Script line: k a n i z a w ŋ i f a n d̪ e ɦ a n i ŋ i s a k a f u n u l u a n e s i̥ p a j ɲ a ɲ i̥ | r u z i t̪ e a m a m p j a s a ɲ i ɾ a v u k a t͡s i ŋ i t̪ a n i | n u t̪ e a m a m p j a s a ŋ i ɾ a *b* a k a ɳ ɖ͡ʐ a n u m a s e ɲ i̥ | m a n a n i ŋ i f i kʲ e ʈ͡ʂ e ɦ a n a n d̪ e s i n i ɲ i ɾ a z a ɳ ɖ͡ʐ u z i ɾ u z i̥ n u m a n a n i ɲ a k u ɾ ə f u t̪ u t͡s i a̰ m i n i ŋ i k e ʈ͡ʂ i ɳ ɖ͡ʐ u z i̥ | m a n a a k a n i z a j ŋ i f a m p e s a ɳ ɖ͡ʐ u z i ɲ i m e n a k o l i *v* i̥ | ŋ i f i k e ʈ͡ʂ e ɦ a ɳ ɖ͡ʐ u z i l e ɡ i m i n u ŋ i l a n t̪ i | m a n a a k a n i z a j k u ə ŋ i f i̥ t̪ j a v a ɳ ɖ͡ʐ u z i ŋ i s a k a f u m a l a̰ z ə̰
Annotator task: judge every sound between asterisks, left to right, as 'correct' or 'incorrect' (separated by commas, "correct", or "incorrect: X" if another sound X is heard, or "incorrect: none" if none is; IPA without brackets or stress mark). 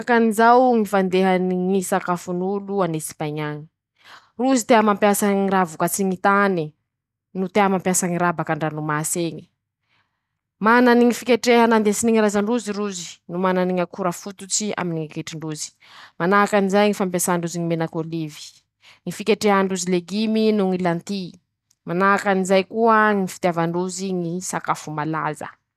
correct, correct